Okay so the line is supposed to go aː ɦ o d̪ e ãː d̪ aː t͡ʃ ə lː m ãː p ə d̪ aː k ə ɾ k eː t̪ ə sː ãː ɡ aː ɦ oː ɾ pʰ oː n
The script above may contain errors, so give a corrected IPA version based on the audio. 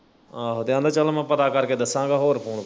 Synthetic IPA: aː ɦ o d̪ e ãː d̪ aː t͡ʃ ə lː m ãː p ə t̪ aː k ə ɾ k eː d̪ ə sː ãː ɡ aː ɦ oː ɾ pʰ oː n